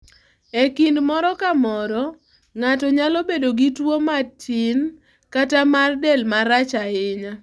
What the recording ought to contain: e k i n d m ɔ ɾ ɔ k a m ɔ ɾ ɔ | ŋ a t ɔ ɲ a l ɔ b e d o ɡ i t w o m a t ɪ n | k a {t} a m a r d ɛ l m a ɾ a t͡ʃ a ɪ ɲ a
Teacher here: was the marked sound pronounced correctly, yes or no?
yes